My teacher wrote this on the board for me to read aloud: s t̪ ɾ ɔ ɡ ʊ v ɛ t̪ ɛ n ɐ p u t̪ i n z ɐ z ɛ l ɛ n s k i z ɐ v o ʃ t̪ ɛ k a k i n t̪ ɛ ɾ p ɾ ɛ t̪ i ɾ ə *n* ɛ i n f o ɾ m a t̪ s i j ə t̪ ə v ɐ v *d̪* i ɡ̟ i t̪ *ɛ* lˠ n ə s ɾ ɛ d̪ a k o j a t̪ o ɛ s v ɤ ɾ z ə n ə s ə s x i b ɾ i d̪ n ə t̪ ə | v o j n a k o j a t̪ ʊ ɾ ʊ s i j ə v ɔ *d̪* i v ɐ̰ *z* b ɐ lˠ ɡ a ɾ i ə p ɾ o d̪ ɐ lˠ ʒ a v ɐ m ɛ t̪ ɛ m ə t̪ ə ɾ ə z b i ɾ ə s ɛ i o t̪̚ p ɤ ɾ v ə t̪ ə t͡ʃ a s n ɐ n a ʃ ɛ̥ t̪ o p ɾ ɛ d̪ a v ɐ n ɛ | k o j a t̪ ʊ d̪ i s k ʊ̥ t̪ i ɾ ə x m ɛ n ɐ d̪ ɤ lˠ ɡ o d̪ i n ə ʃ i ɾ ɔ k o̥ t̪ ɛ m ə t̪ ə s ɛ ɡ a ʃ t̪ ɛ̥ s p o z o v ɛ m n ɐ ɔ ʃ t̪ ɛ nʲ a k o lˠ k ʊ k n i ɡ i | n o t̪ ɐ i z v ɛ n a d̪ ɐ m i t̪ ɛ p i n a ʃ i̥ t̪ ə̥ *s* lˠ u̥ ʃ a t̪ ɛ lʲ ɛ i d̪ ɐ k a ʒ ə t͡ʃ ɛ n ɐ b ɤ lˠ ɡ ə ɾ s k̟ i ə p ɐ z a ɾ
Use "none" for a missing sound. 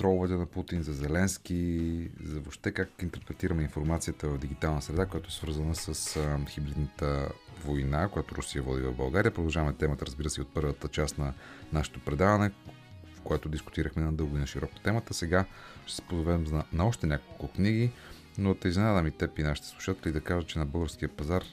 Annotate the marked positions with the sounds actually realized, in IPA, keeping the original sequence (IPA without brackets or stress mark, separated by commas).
m, d̪, a, d̪, v, s